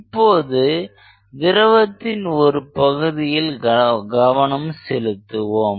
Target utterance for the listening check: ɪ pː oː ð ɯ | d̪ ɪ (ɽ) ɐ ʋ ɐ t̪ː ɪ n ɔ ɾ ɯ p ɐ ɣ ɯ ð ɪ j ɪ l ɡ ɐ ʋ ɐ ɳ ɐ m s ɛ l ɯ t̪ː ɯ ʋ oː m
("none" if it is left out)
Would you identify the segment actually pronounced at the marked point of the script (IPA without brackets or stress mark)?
ɾ